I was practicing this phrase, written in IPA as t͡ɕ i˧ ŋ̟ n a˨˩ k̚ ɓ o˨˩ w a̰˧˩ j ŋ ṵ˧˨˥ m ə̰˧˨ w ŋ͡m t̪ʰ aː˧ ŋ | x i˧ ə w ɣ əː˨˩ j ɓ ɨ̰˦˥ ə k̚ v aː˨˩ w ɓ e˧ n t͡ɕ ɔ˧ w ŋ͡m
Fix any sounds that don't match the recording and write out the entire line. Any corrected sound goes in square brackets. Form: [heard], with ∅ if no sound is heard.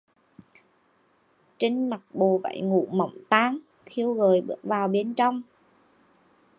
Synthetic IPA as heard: t͡ɕ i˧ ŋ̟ [m] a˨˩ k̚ ɓ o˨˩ [v] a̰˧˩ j ŋ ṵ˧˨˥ m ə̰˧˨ w ŋ͡m [t̪] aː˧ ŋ | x i˧ ə w ɣ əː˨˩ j ɓ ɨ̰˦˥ ə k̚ v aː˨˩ w ɓ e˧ n t͡ɕ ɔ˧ w ŋ͡m